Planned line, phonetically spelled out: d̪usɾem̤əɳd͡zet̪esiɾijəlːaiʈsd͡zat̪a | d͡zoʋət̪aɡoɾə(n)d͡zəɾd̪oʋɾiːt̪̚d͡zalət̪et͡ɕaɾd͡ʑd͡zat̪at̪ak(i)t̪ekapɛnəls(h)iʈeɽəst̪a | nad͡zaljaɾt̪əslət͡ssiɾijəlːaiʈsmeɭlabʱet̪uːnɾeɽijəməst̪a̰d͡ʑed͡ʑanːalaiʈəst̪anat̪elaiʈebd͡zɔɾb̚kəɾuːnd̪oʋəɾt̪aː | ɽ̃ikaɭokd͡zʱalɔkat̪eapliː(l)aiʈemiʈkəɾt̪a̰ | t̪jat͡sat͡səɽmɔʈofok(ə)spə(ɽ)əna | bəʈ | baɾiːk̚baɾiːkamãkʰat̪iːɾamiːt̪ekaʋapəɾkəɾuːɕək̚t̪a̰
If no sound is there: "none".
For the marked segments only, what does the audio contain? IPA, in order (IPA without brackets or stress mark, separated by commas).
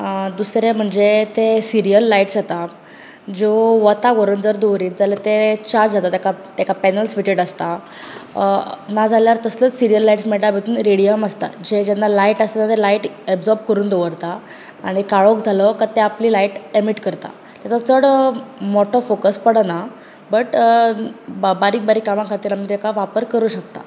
n, a, f, l, ə, ɽ